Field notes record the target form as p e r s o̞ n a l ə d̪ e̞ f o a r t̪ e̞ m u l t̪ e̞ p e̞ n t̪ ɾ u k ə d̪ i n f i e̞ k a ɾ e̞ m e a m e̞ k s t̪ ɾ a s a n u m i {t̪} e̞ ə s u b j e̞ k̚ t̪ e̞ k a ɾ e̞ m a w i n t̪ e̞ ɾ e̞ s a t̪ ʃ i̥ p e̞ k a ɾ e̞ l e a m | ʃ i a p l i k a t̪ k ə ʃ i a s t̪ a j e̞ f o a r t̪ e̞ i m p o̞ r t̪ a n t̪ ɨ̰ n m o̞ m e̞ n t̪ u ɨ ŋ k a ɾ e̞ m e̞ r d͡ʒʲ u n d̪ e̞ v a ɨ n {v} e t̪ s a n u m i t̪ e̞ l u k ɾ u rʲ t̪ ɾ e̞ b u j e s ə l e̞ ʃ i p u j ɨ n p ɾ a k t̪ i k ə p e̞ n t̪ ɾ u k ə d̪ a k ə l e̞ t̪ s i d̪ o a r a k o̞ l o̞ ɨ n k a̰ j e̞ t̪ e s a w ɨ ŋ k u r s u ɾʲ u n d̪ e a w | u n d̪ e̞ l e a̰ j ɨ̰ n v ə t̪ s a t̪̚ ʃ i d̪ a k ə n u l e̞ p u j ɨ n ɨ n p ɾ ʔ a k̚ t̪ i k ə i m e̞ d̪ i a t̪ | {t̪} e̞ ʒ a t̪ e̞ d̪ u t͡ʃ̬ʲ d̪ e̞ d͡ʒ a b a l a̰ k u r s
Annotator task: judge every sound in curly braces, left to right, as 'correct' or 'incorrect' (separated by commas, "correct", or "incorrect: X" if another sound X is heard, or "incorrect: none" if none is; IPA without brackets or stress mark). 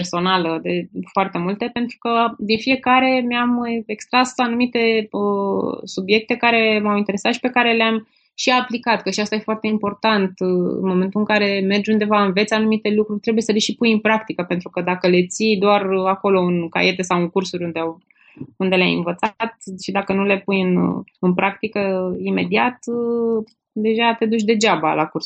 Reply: correct, correct, incorrect: d̪